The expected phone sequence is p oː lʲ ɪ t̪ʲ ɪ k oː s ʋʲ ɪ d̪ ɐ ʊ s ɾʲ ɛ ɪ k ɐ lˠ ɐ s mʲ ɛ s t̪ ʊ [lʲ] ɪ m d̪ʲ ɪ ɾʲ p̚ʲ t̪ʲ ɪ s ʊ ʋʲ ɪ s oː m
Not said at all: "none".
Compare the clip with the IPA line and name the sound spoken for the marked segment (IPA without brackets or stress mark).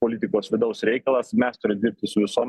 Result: ɾʲ